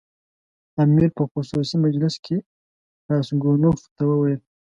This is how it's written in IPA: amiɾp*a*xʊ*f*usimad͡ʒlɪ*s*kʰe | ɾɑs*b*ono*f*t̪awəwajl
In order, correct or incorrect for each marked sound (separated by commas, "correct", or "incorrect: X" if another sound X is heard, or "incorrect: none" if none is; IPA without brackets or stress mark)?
incorrect: ə, incorrect: s, correct, incorrect: ɡ, correct